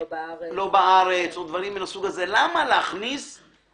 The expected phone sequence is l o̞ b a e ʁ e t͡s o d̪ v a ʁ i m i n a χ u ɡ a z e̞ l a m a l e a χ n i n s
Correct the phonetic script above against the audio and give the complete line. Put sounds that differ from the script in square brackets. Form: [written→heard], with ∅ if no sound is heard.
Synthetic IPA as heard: l o̞ b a [e→a] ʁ e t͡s o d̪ v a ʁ i m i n a [χ→s] u ɡ a z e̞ l a m a l e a χ n i [n→∅] s